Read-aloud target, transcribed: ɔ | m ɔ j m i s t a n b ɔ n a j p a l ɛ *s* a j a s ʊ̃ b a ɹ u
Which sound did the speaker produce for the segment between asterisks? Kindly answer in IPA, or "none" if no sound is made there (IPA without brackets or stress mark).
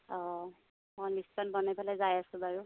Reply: z